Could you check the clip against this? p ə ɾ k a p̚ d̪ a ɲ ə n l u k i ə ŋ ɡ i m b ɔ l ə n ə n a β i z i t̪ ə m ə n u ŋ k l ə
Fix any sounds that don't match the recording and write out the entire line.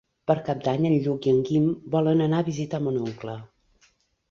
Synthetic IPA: p ə ɾ k a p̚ d̪ a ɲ ə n ʎ u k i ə ŋ ɡ i m b ɔ l ə n ə n a β i z i t̪ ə m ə n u ŋ k l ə